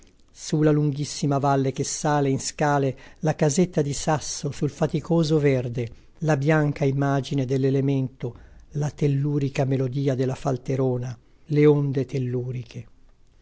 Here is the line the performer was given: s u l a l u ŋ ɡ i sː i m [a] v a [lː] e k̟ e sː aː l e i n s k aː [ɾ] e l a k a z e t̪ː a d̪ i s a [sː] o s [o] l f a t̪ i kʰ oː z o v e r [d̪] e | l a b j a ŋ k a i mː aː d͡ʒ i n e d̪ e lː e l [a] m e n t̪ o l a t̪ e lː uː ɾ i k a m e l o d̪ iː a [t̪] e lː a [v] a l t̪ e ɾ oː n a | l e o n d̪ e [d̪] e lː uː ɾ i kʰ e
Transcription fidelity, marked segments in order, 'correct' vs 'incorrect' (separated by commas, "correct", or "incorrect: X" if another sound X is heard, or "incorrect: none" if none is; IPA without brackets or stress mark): correct, correct, incorrect: l, correct, incorrect: u, correct, incorrect: e, incorrect: d̪, incorrect: f, incorrect: t̪